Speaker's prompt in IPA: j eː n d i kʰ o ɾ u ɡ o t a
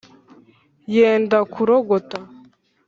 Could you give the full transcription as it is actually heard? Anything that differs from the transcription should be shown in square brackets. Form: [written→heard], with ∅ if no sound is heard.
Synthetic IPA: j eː n d [i→a] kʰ [o→u] ɾ [u→o] ɡ o t a